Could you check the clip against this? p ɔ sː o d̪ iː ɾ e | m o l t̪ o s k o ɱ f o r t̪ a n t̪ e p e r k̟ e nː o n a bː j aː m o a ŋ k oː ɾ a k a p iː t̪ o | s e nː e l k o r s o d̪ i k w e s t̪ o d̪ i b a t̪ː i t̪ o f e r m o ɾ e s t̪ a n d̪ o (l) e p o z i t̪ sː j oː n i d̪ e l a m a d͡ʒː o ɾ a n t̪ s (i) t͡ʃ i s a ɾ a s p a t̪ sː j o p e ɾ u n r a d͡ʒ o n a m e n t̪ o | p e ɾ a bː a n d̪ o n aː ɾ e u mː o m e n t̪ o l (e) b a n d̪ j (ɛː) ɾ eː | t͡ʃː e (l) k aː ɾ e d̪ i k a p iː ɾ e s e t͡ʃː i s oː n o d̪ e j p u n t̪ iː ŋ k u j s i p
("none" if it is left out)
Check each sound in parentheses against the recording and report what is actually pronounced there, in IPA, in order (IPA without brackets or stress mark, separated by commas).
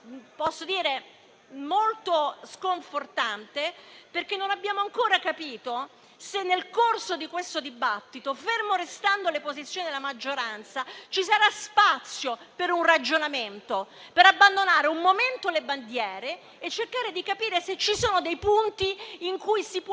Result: l, a, e, ɛː, r